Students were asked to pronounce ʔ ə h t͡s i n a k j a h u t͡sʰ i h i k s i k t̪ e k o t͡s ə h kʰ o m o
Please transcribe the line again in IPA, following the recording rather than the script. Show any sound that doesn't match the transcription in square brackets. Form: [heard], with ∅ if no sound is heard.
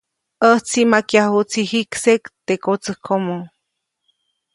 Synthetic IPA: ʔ ə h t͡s i [m] a k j a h u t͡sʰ i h i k s [e] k t̪ e k o t͡s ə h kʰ o m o